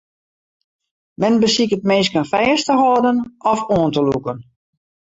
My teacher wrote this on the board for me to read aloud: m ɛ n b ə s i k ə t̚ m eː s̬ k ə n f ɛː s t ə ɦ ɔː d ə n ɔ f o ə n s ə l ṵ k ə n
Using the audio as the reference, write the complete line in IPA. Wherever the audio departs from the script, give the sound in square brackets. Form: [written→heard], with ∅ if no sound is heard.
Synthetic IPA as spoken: m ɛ n b ə s i k ə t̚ m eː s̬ k ə n f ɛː s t ə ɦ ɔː d ə n ɔ f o ə n [s→t] ə l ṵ k ə n

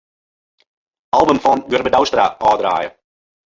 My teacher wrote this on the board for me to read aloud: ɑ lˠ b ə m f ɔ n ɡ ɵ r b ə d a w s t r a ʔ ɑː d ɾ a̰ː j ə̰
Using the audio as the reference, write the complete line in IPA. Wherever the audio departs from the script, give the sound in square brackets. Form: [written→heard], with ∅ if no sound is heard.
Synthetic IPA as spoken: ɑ lˠ b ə m f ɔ n ɡ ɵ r b ə d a w s t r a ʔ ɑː d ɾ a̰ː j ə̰

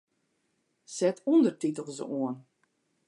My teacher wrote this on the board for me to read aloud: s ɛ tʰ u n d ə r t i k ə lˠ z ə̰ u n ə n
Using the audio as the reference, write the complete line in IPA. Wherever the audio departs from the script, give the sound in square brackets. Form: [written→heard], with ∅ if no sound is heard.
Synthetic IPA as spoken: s ɛ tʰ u n d ə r t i [k→t] ə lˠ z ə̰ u [n→∅] ə n

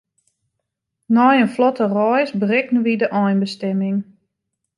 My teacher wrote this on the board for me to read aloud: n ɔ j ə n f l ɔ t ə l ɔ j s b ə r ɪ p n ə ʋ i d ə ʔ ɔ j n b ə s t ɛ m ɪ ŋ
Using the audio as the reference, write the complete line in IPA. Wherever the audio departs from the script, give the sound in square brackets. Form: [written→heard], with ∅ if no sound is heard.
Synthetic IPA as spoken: n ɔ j ə n f l ɔ t ə [l→r] ɔ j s b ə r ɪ [p→k] n ə ʋ i d ə ʔ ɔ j n b ə s t ɛ m ɪ ŋ

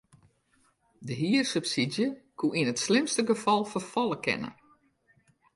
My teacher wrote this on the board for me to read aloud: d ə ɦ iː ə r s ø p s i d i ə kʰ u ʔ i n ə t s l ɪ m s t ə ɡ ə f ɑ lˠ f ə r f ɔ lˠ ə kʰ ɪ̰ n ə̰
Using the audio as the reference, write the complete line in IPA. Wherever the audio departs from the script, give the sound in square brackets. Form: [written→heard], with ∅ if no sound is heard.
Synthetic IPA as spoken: d ə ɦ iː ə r s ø p s i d [i→j] ə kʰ u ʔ i n ə t s l ɪ m s t ə ɡ ə f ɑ lˠ f ə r f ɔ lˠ ə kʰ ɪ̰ n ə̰

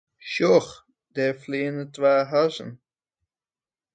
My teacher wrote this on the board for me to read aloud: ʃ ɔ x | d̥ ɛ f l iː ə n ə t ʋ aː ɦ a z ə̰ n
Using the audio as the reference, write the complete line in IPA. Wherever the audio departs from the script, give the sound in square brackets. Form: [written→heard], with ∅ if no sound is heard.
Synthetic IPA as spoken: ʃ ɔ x | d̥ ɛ f l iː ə n ə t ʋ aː ɦ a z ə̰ n

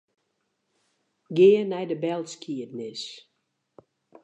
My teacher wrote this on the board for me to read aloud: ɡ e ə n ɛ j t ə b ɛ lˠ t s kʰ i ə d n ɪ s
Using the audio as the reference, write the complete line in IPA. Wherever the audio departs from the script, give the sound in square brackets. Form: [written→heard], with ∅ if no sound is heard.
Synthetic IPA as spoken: ɡ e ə n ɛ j [t→d] ə b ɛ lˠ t s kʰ i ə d n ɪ s

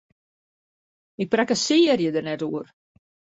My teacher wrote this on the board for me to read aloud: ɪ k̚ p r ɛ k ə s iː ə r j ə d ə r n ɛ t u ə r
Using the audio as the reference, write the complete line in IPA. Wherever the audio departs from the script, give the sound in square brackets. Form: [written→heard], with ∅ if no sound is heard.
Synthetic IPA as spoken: ɪ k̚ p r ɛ k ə s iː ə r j ə d ə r n ɛ t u ə r

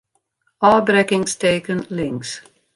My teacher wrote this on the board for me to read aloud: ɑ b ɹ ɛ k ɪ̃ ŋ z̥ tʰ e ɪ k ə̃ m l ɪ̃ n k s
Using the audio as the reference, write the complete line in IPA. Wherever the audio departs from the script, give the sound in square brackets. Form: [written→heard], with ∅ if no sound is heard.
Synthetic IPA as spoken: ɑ b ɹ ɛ k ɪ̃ ŋ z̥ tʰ e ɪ k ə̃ [m→n] l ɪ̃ [n→ŋ] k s

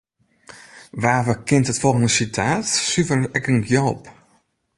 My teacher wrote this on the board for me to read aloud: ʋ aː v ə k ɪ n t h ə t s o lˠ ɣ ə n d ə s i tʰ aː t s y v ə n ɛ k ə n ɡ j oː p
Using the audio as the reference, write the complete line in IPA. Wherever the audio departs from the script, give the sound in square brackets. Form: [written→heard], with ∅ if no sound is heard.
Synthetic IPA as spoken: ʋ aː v ə k ɪ n t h ə t [s→f] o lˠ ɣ ə n d ə s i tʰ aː t s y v ə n ɛ k ə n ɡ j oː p

